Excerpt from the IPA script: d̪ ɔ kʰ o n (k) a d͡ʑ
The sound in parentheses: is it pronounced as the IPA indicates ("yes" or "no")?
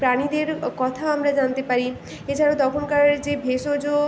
yes